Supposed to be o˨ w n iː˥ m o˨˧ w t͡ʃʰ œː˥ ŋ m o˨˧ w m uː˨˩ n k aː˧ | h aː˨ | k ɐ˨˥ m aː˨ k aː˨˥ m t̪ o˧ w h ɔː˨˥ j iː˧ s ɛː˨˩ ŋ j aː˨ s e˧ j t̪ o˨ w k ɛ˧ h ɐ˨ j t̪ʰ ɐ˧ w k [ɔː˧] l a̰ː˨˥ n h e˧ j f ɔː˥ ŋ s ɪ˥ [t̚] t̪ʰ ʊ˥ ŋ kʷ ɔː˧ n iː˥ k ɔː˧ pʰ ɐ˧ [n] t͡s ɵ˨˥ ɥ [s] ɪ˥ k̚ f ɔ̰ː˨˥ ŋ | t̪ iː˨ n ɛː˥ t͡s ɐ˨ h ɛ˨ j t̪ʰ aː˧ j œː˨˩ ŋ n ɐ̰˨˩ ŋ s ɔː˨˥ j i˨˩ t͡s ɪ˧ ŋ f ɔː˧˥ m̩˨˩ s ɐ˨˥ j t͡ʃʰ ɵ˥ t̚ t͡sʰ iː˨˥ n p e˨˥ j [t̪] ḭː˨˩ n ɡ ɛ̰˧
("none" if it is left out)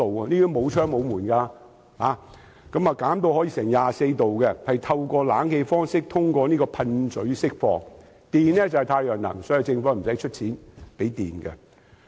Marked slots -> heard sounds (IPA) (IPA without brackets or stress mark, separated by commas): ɔː˧, k̚, n, s, t̪